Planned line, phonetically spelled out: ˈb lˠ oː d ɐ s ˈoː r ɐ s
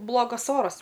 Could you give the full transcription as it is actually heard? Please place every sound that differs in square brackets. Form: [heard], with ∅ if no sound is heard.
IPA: ˈb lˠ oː [ɡ] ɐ s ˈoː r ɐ s